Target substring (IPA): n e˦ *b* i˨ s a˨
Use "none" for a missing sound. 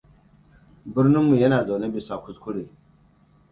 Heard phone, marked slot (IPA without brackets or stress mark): b